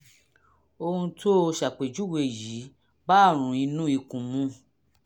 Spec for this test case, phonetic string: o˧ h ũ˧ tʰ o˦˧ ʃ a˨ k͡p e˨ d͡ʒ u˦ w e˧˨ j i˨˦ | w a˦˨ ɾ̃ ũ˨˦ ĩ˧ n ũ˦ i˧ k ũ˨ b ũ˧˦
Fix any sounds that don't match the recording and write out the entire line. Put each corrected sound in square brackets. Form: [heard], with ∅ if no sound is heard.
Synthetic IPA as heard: o˧ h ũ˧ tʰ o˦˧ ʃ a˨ k͡p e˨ d͡ʒ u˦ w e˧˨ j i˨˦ | [b] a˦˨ ɾ̃ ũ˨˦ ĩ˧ n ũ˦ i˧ k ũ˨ [m] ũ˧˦